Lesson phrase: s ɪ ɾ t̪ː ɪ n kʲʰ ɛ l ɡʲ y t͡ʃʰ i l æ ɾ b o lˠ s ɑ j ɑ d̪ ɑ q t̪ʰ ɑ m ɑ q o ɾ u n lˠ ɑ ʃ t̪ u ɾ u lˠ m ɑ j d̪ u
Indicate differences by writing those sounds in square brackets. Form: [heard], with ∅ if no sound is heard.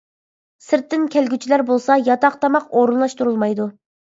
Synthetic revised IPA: s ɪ ɾ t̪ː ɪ n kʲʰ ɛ l ɡʲ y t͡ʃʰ i l æ ɾ b o lˠ s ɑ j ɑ [t̪] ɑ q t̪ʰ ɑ m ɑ q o ɾ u n lˠ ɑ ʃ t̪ u ɾ u lˠ m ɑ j d̪ u